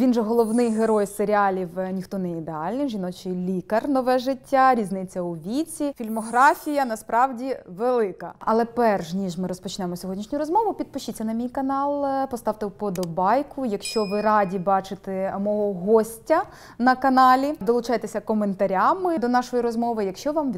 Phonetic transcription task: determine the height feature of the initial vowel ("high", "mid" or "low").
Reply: high